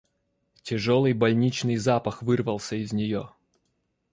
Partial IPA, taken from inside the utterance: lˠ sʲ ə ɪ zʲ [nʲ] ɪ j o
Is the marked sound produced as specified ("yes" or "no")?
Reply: yes